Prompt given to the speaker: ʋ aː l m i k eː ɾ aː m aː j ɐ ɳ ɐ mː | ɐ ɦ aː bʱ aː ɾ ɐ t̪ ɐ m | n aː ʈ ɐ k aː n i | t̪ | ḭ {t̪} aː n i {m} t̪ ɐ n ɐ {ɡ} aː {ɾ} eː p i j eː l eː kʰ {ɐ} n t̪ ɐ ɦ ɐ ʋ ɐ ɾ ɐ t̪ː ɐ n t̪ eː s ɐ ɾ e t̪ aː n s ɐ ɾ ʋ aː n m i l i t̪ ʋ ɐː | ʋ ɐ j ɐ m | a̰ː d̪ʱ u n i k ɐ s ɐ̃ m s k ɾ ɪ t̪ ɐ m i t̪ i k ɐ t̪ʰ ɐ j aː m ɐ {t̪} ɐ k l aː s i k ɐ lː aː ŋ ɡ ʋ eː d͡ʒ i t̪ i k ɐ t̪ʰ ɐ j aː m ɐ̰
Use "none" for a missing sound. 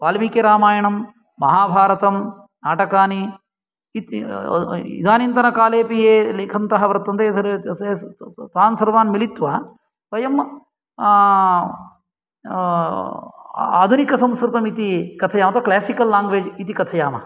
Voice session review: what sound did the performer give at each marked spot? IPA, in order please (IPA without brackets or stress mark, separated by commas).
d̪, n, k, l, ɐ, t̪